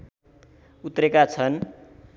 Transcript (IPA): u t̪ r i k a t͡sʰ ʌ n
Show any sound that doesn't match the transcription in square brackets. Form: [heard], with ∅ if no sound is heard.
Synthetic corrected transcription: u t̪ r [e] k a t͡sʰ ʌ n